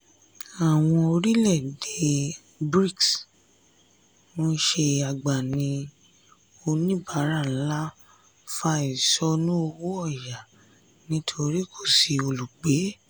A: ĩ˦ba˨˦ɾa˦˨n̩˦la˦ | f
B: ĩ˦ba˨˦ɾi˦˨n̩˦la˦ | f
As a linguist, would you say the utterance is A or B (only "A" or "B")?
A